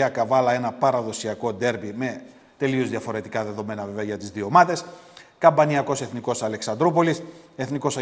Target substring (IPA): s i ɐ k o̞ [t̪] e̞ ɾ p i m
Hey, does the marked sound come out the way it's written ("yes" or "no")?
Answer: no